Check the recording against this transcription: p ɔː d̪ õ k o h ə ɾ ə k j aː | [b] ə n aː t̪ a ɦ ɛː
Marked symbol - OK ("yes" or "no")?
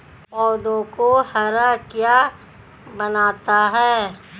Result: yes